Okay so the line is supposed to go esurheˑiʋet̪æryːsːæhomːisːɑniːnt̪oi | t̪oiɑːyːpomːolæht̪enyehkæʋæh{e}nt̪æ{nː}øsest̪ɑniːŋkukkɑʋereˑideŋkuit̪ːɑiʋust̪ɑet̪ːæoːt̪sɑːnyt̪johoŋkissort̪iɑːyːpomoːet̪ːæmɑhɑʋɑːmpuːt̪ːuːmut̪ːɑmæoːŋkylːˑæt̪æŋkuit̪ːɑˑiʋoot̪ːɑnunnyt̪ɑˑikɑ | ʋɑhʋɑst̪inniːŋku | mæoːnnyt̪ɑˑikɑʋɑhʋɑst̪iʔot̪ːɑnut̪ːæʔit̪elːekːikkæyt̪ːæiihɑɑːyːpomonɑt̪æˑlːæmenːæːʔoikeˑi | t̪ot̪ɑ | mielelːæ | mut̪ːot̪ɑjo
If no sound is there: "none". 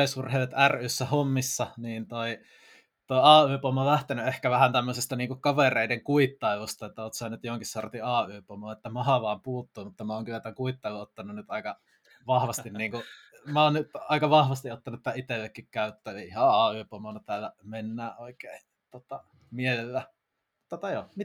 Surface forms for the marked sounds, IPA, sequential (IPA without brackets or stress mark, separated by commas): æ, mː